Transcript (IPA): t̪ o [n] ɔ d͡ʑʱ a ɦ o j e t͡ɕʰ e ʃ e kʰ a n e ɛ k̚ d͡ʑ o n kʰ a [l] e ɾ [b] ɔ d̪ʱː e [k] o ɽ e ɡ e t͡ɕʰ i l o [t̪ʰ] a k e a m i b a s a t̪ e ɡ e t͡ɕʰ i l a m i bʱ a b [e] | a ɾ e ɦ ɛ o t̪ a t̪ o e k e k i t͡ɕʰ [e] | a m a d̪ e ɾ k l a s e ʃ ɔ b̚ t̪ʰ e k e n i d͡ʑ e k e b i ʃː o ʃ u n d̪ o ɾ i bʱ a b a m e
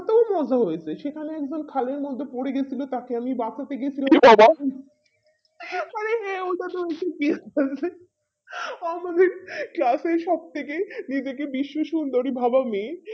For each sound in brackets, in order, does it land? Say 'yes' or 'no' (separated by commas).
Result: no, yes, no, no, no, no, yes